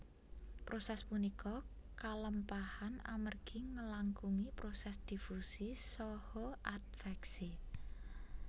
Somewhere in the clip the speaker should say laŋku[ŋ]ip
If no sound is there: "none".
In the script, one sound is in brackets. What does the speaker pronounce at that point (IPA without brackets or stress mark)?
ŋ